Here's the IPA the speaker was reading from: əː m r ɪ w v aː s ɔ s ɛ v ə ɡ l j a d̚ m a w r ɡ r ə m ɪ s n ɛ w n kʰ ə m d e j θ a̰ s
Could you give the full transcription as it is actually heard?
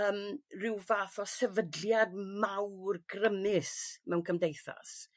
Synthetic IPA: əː m r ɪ w v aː θ ɔ s ɛ v ə d l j a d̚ m a w r ɡ r ə m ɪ s m ɛ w n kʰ ə m d e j θ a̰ s